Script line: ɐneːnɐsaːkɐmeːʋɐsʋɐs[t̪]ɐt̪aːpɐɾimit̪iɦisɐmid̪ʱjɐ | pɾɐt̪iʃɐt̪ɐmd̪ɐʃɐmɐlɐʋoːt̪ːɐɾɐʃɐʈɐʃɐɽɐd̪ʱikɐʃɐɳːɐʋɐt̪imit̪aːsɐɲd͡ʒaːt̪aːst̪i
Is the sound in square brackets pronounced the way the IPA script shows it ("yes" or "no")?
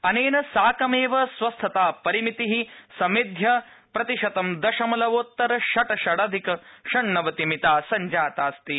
no